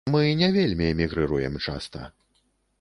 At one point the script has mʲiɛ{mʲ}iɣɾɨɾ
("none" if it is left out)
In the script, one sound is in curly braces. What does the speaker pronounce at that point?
mʲ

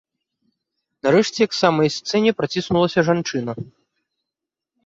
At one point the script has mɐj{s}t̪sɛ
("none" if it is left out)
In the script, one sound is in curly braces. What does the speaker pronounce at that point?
s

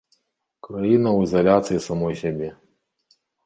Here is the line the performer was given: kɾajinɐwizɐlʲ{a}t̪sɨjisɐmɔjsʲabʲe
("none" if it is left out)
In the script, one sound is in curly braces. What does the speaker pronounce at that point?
a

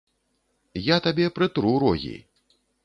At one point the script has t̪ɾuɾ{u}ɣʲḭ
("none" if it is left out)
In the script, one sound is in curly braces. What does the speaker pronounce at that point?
ɔ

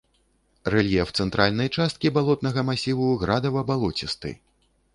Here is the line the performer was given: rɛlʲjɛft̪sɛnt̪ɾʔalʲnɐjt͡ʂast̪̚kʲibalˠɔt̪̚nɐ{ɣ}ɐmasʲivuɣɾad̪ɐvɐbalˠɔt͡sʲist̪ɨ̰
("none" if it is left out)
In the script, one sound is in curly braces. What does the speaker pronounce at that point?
ɣ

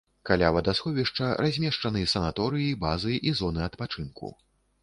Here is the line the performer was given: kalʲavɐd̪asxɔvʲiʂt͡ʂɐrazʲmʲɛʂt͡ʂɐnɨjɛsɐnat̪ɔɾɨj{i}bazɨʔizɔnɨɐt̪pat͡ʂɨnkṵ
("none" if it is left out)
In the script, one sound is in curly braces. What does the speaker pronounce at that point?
i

